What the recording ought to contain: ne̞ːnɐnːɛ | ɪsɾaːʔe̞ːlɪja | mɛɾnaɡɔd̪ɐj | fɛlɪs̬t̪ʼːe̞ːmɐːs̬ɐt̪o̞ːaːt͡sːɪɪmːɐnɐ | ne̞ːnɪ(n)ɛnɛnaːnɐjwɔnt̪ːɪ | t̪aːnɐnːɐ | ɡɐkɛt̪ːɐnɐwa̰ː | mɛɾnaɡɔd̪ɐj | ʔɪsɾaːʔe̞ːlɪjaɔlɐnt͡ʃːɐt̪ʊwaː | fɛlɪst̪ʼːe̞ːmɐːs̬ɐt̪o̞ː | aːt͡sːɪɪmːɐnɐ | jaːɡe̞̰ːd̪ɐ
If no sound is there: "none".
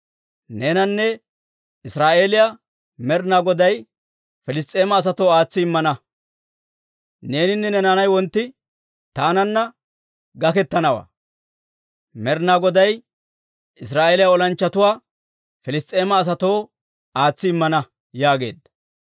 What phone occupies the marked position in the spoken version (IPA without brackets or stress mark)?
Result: nː